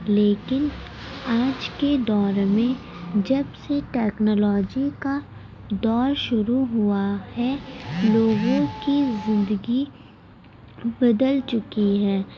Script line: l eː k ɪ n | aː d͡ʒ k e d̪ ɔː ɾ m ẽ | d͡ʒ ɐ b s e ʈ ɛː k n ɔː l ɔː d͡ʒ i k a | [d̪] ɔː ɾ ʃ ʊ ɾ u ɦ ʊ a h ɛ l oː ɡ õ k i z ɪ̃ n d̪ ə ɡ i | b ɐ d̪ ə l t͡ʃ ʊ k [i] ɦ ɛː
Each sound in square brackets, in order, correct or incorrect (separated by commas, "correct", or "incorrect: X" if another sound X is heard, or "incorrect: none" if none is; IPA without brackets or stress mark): correct, correct